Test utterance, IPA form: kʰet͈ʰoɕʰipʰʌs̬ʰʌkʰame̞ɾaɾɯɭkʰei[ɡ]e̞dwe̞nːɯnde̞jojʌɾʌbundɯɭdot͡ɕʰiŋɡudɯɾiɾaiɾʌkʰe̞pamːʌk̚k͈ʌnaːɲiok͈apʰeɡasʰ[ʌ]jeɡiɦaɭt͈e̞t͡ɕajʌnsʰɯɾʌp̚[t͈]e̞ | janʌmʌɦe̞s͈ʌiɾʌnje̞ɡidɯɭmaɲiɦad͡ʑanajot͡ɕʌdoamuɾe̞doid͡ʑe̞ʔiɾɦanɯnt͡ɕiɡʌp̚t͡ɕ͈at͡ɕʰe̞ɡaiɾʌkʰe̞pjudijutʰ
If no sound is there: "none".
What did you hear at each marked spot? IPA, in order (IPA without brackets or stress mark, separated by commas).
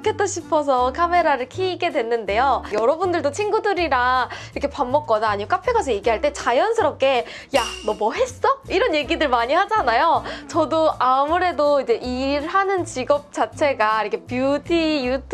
ɡ, ʌ, k͈